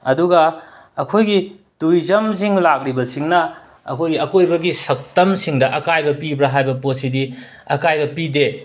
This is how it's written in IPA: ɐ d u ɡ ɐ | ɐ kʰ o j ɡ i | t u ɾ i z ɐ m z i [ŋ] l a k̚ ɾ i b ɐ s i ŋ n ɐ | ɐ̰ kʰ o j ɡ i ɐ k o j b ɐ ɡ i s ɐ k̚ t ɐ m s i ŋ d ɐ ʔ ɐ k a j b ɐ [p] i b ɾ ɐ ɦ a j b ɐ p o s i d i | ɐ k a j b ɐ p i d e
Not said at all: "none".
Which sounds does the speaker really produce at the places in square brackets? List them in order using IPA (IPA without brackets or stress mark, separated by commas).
ŋ, p